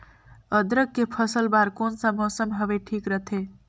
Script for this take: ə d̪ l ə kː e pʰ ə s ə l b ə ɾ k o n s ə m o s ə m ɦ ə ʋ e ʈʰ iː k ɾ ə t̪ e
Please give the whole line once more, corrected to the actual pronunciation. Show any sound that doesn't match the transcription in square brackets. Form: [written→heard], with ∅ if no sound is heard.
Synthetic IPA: ə d̪ [l→ɾ] ə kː e pʰ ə s ə l b [ə→a] ɾ k o n s ə m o s ə m ɦ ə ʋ e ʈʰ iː k ɾ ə [t̪→t̪ʰ] e